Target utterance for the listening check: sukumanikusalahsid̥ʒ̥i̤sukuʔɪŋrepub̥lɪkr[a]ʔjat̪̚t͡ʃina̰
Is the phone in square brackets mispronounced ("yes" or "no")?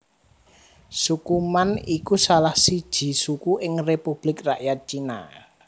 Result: no